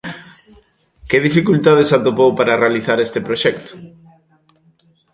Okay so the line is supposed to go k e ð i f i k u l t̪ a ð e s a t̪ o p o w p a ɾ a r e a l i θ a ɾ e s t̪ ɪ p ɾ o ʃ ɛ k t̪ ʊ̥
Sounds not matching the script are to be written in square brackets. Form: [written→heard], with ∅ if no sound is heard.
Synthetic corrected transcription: k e ð i f i k u l t̪ a ð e s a t̪ o p o w p a ɾ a r e a l i θ a ɾ e s t̪ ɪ p ɾ o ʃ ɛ k t̪ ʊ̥